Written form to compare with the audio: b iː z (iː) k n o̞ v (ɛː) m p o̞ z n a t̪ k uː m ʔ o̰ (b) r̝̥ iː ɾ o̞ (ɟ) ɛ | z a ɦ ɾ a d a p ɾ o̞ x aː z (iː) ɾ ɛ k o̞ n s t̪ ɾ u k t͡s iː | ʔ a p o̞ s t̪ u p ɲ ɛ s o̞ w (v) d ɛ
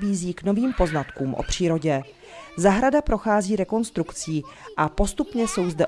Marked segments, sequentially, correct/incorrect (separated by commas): correct, incorrect, incorrect, correct, correct, incorrect